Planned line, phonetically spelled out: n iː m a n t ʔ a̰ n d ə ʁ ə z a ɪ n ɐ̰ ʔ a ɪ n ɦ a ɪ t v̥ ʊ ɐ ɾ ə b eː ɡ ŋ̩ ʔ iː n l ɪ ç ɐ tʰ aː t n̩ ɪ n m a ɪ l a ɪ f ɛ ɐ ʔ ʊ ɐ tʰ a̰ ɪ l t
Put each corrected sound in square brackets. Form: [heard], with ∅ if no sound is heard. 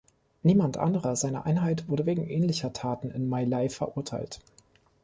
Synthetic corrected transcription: n iː m a n t ʔ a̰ n d ə ʁ [ɐ] z a ɪ n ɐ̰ ʔ a ɪ n ɦ a ɪ t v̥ ʊ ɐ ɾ ə [v] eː ɡ ŋ̩ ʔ [ɛː] n l ɪ ç ɐ tʰ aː t n̩ ɪ n m a ɪ l a ɪ f ɛ ɐ ʔ ʊ ɐ tʰ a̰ ɪ l t